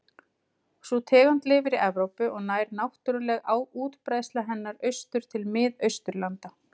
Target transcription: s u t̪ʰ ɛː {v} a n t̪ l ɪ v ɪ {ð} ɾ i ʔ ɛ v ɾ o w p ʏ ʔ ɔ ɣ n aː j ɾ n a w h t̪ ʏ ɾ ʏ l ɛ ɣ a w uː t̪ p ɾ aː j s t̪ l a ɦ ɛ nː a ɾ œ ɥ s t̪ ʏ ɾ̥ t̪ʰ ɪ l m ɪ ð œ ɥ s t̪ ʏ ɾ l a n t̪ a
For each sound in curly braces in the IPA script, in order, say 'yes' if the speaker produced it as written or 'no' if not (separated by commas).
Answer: no, no